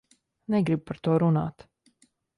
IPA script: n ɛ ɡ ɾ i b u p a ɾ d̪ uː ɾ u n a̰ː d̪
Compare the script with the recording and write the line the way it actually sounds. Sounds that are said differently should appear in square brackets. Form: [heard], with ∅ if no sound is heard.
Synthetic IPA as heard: n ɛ ɡ ɾ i b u p a ɾ [t̪] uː ɾ u n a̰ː [t̪]